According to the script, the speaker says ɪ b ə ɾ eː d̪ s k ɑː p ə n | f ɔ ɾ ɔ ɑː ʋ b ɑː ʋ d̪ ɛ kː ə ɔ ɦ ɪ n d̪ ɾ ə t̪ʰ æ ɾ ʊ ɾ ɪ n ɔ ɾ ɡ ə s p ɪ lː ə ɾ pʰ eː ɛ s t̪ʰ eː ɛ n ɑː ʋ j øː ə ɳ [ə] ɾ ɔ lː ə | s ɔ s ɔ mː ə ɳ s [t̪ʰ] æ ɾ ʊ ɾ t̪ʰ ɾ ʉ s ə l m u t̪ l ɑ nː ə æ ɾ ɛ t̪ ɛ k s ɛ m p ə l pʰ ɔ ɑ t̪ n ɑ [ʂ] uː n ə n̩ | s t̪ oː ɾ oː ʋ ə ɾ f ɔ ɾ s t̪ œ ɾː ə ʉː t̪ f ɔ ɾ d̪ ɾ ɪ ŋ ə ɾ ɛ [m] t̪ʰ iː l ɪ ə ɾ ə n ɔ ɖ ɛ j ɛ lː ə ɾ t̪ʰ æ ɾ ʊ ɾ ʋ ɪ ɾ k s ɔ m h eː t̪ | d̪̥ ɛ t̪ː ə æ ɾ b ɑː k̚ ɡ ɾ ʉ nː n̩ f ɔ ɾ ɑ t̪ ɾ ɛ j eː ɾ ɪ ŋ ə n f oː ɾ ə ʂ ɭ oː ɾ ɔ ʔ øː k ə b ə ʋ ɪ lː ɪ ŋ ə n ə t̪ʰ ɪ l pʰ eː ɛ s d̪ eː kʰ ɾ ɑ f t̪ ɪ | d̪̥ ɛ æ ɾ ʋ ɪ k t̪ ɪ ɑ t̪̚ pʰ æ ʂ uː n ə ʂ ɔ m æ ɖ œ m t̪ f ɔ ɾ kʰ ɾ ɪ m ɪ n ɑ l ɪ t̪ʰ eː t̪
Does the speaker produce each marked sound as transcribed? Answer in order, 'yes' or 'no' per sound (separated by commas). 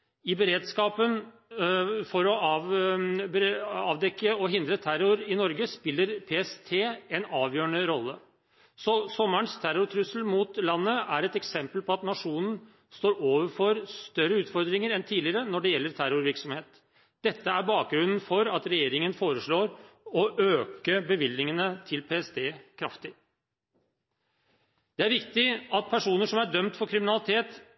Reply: yes, yes, yes, no